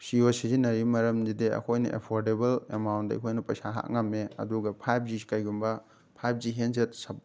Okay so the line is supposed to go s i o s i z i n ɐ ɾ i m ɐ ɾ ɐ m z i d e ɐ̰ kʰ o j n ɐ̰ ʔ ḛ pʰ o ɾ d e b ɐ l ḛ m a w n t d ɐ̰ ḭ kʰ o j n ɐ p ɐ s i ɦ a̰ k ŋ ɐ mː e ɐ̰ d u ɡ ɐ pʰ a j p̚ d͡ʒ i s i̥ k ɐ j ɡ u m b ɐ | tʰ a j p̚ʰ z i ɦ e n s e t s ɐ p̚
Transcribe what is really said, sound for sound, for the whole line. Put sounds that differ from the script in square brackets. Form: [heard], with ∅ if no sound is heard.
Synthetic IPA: s i o s i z i n ɐ ɾ i m ɐ ɾ ɐ m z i d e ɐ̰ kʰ o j n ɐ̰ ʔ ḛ pʰ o ɾ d e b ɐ l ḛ m a w n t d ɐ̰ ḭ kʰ o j n ɐ p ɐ s [a] ɦ a̰ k ŋ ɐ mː e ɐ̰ d u ɡ ɐ pʰ a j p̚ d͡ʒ i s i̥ k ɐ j ɡ u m b ɐ | [pʰ] a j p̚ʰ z i ɦ e n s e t s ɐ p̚